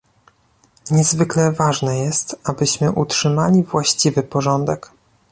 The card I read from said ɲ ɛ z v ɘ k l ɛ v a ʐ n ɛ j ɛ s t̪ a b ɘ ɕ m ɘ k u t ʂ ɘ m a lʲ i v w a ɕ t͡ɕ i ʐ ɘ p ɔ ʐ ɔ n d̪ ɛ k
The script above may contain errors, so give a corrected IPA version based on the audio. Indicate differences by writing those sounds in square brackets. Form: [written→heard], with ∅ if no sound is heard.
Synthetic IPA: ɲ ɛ z v ɘ k l ɛ v a ʐ n ɛ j ɛ s t̪ a b ɘ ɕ m ɘ [k→ʔ] u t ʂ ɘ m a lʲ i v w a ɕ t͡ɕ i [ʐ→v] ɘ p ɔ ʐ ɔ n d̪ ɛ k